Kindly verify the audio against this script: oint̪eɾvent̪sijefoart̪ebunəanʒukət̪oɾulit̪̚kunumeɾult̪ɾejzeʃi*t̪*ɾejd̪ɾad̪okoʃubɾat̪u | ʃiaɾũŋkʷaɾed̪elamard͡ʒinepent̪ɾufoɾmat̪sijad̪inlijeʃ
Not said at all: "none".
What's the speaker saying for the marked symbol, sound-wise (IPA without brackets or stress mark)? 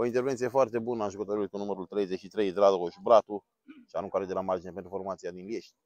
t̪